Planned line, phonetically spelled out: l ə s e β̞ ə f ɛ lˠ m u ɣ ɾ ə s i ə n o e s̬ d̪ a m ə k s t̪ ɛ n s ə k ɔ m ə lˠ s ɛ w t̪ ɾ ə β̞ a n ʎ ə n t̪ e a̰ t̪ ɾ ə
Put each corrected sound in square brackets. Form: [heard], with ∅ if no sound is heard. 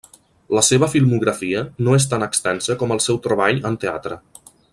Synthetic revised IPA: l ə s e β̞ ə f [i] lˠ m u ɣ ɾ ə [f] i ə n o e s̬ [t̪] a [n] ə k s t̪ ɛ n s ə k ɔ m ə lˠ s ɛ w t̪ ɾ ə β̞ a [∅] ʎ ə n t̪ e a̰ t̪ ɾ ə